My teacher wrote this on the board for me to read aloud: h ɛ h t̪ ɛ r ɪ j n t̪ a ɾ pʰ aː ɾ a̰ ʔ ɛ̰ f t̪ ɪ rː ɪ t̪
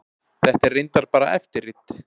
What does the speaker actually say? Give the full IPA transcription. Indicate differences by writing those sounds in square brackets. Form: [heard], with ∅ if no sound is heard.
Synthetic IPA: [θ] ɛ h t̪ ɛ r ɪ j n t̪ a ɾ [p] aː ɾ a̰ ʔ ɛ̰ f t̪ ɪ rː ɪ t̪